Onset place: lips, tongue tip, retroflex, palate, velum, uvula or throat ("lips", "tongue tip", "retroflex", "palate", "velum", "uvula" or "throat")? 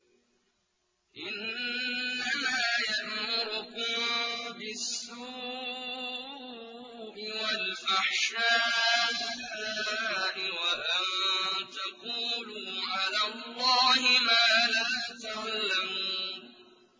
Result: throat